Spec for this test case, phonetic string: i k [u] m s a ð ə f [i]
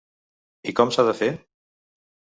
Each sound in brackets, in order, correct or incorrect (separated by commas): incorrect, incorrect